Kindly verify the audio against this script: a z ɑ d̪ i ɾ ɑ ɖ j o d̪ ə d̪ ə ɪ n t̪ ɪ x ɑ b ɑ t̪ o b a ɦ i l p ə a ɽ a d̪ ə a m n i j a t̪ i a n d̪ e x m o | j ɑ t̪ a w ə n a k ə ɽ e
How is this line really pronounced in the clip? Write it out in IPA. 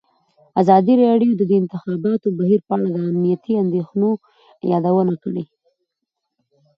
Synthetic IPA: a z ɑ d̪ i ɾ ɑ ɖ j o d̪ ə d̪ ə ɪ n t̪ ɪ x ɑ b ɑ t̪ o b a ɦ i ɾ p ə a ɽ a d̪ ə a m n i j a t̪ i a n d̪ e x n o | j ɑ d̪ a w ə n a k ə ɽ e